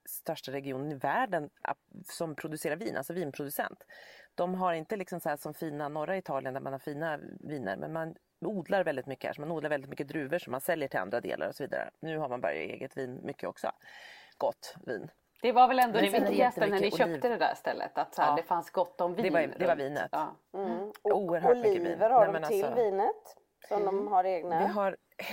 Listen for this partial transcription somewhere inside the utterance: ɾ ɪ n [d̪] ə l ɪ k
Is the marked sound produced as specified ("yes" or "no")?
no